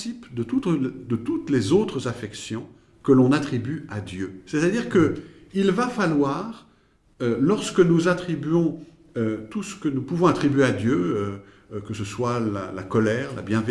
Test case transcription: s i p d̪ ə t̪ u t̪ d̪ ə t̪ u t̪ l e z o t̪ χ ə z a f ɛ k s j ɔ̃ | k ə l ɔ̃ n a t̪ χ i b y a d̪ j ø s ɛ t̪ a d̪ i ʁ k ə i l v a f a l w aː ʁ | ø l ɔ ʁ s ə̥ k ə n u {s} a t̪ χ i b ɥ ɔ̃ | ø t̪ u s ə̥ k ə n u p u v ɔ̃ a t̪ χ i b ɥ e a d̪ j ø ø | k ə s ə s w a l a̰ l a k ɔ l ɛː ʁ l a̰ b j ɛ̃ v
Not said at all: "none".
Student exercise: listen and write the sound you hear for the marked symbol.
z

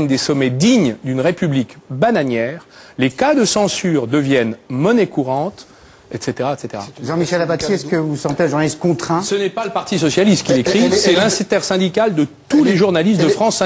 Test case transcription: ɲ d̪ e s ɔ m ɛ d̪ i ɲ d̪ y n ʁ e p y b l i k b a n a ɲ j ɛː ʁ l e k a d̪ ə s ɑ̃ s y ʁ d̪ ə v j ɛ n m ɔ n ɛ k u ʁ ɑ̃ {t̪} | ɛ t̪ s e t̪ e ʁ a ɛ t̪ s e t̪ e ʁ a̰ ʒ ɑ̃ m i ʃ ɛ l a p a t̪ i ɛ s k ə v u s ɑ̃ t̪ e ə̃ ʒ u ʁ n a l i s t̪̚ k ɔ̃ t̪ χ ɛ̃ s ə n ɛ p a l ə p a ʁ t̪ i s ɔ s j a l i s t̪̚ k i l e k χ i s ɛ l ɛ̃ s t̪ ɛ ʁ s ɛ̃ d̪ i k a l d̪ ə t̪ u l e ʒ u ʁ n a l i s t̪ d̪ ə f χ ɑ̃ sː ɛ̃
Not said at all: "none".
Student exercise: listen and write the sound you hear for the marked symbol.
t̪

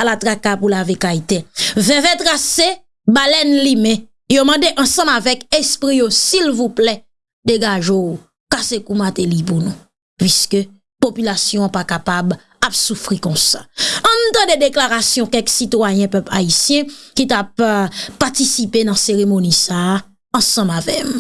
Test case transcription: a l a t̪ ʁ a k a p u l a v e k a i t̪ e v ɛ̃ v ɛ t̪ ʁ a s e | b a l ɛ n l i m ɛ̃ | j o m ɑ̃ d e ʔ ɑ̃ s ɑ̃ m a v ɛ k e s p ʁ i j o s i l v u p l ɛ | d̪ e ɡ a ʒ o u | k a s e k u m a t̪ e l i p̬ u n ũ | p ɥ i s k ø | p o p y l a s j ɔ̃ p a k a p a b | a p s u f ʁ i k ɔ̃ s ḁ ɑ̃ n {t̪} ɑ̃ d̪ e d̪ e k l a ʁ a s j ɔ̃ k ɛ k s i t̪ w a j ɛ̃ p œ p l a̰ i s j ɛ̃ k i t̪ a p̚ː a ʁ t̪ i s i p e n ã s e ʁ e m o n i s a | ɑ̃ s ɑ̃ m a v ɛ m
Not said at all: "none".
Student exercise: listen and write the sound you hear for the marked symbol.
t̪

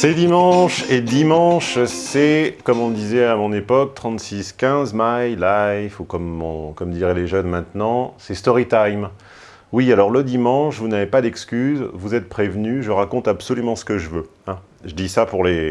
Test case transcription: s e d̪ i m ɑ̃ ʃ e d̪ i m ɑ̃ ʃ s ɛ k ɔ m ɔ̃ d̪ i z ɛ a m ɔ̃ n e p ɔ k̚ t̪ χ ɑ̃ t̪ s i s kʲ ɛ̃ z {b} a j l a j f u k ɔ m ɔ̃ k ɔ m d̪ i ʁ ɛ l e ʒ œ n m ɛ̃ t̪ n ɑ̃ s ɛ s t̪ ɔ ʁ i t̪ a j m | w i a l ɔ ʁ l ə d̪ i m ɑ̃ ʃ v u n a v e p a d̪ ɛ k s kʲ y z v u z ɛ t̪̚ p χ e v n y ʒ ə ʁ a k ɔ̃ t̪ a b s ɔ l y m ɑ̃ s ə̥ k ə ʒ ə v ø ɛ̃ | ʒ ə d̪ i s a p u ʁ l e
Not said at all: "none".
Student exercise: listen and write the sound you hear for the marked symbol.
m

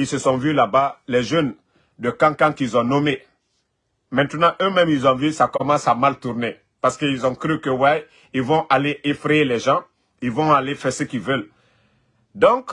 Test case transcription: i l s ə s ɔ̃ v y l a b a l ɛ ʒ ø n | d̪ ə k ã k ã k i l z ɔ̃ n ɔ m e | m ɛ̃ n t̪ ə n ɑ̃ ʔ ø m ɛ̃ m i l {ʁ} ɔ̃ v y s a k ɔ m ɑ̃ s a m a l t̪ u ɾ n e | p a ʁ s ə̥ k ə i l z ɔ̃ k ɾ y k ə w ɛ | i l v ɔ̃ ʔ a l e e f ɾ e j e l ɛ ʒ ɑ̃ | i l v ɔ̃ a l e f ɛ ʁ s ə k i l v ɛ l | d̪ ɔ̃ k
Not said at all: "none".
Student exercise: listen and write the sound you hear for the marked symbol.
z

